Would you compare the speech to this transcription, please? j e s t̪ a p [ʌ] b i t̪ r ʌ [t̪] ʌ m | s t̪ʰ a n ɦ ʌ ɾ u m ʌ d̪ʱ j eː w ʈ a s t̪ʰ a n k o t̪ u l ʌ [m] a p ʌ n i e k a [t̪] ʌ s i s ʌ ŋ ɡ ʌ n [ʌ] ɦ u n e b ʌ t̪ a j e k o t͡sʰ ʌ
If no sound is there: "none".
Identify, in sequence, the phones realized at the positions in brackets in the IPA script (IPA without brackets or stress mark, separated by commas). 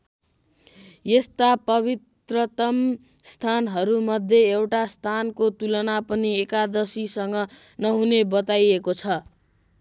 ʌ, t̪, n, d̪, ʌ